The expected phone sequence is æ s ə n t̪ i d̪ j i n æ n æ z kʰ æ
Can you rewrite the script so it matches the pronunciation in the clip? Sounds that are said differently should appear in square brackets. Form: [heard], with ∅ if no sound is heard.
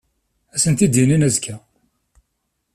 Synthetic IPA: æ s ə n t̪ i d̪ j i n [i] n æ z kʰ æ